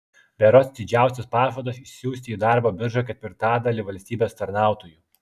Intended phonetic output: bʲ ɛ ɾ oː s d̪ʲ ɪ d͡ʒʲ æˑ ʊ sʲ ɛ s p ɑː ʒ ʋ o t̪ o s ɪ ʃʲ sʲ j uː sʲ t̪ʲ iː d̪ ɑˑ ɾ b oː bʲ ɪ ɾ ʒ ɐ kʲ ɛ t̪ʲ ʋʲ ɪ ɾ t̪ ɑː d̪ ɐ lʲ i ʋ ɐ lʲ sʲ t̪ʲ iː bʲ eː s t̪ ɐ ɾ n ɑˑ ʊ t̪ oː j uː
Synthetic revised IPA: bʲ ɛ ɾ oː s d̪ʲ ɪ d͡ʒʲ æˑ ʊ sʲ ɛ s p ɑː ʒ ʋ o d̪ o s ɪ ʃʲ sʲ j uː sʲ t̪ʲ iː d̪ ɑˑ ɾ b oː bʲ ɪ ɾ ʒ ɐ kʲ ɛ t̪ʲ ʋʲ ɪ ɾ t̪ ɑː d̪ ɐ lʲ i ʋ ɐ lʲ sʲ t̪ʲ iː bʲ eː s t̪ ɐ ɾ n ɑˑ ʊ t̪ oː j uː